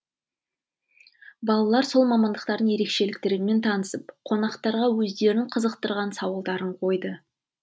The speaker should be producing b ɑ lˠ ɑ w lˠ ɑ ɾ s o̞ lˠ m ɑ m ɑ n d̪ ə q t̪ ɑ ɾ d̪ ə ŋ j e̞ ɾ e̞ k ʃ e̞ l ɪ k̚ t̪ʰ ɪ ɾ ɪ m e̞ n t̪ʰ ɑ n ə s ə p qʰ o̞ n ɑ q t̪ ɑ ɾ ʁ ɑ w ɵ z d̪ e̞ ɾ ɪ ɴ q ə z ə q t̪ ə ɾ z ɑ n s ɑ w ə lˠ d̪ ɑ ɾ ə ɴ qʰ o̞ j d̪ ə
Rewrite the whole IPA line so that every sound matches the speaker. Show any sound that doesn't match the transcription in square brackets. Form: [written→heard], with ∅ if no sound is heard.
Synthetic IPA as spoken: b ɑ lˠ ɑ [w→∅] lˠ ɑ ɾ s o̞ lˠ m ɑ m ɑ n d̪ ə q t̪ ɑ ɾ d̪ ə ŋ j e̞ ɾ e̞ k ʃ e̞ l ɪ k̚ [t̪ʰ→t̪] ɪ ɾ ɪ m e̞ n t̪ʰ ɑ n ə s ə p qʰ o̞ n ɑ q t̪ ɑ ɾ ʁ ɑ w ɵ z d̪ e̞ ɾ ɪ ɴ [q→qʰ] ə z ə q t̪ ə ɾ [z→ʁ] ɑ n s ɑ w ə lˠ d̪ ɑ ɾ ə ɴ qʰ o̞ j d̪ ə